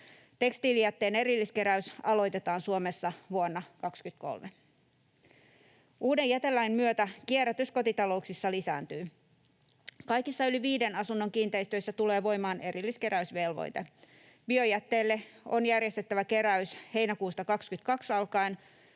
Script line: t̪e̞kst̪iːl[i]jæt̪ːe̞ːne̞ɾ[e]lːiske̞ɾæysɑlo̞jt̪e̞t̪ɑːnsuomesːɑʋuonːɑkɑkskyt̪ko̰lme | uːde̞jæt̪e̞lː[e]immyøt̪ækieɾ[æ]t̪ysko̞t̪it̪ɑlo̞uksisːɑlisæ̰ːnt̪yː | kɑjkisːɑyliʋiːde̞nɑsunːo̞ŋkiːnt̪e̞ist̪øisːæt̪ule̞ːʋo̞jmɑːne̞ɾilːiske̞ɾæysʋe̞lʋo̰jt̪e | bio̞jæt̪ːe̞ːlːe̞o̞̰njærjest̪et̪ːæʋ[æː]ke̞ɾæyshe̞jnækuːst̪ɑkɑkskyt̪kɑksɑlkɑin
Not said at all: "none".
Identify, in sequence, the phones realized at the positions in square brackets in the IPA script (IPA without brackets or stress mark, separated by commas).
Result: i, i, æ, æ, æ